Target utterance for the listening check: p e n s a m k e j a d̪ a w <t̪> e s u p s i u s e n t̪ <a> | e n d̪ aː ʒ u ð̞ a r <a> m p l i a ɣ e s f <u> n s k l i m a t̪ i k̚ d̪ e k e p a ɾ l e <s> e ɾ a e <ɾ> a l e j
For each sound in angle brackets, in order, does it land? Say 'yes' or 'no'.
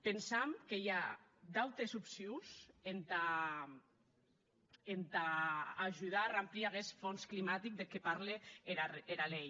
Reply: yes, yes, yes, no, no, yes

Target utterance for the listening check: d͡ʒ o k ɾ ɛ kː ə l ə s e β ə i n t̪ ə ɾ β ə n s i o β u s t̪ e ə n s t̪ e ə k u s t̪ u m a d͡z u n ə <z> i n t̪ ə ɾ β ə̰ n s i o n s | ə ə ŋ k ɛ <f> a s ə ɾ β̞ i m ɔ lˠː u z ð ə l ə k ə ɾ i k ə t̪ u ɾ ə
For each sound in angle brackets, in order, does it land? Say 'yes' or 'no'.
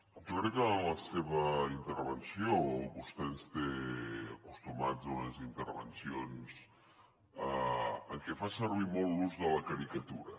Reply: yes, yes

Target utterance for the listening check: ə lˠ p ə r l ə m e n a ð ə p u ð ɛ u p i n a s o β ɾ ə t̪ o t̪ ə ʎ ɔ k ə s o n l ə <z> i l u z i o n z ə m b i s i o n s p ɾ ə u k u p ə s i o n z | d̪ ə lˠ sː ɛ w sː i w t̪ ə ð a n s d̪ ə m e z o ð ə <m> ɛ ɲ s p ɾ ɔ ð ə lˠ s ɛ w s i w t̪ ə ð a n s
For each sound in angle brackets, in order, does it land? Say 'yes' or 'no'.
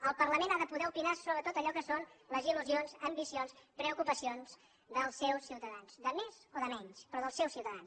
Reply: yes, yes

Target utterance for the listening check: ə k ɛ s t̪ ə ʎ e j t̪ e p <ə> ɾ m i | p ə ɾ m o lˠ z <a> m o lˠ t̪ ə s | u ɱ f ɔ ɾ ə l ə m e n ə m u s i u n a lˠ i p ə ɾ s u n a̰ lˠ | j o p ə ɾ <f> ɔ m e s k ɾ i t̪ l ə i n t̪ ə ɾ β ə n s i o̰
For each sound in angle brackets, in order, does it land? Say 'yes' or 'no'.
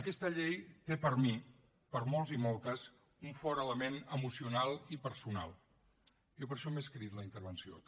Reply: yes, no, no

